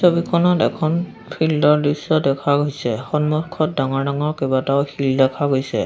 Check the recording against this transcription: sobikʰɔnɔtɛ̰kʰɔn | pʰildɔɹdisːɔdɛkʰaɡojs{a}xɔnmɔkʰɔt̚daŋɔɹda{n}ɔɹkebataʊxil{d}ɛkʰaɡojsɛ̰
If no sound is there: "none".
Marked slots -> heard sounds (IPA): ɛ, ŋ, d

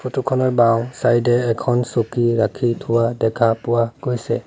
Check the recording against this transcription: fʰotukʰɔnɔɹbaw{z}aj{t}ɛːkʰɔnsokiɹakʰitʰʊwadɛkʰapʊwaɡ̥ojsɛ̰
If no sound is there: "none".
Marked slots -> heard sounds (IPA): s, d

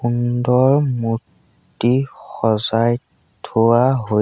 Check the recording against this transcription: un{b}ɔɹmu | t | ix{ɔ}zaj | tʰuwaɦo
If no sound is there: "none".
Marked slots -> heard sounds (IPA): d, ɔ

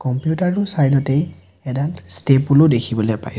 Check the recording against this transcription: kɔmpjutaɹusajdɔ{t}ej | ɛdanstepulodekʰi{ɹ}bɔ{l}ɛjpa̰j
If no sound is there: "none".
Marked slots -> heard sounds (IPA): t, none, l

